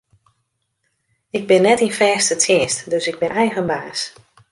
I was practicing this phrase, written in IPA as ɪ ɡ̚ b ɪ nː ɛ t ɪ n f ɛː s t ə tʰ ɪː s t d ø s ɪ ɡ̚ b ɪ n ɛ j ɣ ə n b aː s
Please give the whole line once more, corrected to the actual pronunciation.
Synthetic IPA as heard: ɪ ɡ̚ b ɪ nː ɛ t i n f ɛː s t ə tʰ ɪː s t d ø s ɪ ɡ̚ b ɪ n ɛ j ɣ ə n b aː s